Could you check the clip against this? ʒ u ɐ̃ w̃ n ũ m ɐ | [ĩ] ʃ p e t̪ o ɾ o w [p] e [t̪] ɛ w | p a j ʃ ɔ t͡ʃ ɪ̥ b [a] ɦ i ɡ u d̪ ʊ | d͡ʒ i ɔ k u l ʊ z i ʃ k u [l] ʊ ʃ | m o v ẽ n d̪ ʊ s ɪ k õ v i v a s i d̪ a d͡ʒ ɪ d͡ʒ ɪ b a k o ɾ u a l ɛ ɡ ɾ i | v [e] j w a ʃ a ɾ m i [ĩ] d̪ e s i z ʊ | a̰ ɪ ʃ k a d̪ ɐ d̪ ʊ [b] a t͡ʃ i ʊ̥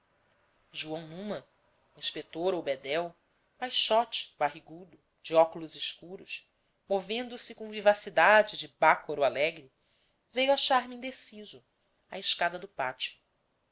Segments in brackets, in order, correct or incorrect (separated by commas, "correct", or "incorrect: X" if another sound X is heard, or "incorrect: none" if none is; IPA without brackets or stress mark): correct, incorrect: b, incorrect: d̪, correct, incorrect: ɾ, correct, correct, incorrect: p